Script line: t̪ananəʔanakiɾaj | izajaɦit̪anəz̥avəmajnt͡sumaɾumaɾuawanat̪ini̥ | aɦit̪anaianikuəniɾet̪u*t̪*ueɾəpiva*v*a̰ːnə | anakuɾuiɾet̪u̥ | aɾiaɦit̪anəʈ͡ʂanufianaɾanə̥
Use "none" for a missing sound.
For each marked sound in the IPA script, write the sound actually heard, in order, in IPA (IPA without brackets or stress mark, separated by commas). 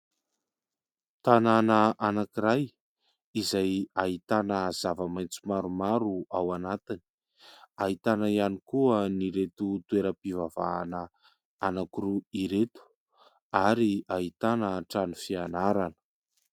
t̪, v